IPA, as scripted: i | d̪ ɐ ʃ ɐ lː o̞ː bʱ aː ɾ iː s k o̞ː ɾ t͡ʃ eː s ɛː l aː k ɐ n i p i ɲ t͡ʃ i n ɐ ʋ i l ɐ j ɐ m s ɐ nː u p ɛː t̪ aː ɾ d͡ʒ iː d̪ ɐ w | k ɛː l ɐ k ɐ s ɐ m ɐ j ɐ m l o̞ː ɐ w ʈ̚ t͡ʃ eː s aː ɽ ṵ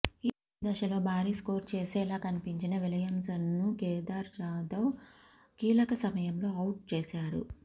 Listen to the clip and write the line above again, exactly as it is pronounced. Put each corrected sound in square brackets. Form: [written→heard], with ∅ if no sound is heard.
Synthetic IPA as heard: i | d̪ ɐ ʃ ɐ [lː→l] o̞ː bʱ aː ɾ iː s k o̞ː ɾ t͡ʃ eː s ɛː l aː k ɐ n i p i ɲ t͡ʃ i n ɐ ʋ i l ɐ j ɐ m s ɐ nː u [p→k] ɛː [t̪→d̪] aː ɾ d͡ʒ [iː→aː] d̪ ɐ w | k [ɛː→iː] l ɐ k ɐ s ɐ m ɐ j ɐ m l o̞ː ɐ w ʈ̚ t͡ʃ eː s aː ɽ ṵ

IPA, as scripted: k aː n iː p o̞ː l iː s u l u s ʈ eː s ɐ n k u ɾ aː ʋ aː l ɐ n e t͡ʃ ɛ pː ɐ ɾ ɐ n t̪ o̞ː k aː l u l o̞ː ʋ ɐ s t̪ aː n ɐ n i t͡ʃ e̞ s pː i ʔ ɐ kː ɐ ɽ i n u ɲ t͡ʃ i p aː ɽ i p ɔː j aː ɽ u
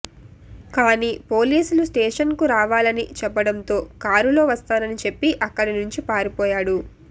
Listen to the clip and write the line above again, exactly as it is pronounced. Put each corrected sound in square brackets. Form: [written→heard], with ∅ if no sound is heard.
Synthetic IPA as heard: k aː n iː p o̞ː l iː s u l u s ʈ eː [s→ʂ] ɐ n k u ɾ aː ʋ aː l ɐ n [e→i] t͡ʃ ɛ pː ɐ [ɾ→ɽ] ɐ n t̪ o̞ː k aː [l→ɾ] u l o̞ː ʋ ɐ s t̪ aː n ɐ n i t͡ʃ e̞ [s→∅] pː i ʔ ɐ kː ɐ ɽ i n u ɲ t͡ʃ i p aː [ɽ→ɾ] i p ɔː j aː ɽ u

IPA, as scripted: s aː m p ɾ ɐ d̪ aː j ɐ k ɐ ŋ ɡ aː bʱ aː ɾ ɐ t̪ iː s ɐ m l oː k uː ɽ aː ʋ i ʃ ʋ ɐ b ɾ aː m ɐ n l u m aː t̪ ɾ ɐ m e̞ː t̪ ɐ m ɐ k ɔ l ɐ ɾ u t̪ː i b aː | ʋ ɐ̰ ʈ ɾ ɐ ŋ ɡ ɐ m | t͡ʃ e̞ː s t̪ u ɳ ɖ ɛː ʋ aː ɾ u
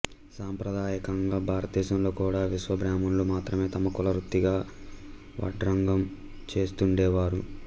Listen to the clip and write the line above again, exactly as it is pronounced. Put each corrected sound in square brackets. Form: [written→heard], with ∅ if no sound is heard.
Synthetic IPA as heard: s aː m p ɾ ɐ d̪ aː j ɐ k ɐ ŋ ɡ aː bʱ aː ɾ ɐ t̪ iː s ɐ m l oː k uː ɽ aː ʋ i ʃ ʋ ɐ b ɾ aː m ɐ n l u m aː t̪ ɾ ɐ m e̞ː t̪ ɐ m ɐ k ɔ l ɐ ɾ u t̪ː i [b→ɡ] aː | ʋ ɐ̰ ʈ ɾ ɐ ŋ ɡ ɐ m | t͡ʃ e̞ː s t̪ u ɳ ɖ ɛː ʋ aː ɾ u

